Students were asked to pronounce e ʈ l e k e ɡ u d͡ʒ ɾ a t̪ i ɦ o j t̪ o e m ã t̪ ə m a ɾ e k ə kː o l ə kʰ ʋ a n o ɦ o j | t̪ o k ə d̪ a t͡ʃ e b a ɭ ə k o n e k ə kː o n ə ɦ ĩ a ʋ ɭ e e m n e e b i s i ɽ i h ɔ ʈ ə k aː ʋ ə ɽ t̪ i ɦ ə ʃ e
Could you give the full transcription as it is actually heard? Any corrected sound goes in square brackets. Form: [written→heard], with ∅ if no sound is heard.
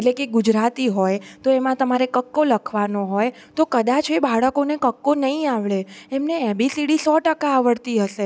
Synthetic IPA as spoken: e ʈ l e k e ɡ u d͡ʒ ɾ a t̪ i ɦ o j t̪ o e m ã t̪ ə m a ɾ e k ə kː o l ə kʰ ʋ a n o ɦ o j | t̪ o k ə d̪ a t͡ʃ e b a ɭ ə k o n e k ə kː o n ə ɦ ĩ a ʋ ɭ e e m n e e b i s i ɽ i [h→s] ɔ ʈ ə k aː ʋ ə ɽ t̪ i ɦ ə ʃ e